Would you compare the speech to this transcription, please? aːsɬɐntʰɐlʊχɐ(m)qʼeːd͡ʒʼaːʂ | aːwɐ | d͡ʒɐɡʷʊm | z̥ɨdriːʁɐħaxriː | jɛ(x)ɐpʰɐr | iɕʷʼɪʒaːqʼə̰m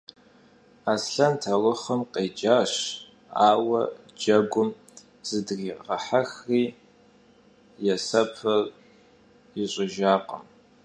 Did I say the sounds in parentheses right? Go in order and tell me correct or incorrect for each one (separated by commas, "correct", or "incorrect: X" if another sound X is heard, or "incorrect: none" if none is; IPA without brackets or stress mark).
correct, incorrect: s